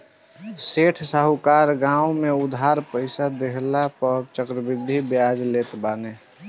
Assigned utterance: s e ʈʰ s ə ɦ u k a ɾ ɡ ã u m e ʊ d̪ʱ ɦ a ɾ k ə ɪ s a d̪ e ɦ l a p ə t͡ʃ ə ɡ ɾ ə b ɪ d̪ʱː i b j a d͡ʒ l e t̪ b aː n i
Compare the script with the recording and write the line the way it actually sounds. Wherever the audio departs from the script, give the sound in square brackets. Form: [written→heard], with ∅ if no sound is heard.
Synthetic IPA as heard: s e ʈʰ s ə ɦ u k a ɾ ɡ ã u m e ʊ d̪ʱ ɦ a ɾ [k→p] ə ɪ s a d̪ e ɦ l a p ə t͡ʃ ə [ɡ→k] ɾ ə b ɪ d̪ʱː i b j a d͡ʒ l e t̪ b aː n [i→e]